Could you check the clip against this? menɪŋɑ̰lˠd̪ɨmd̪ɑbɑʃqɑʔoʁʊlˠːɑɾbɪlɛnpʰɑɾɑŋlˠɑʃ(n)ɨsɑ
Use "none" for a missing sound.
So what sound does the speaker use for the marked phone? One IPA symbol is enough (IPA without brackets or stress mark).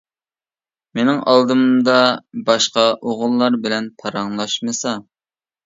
m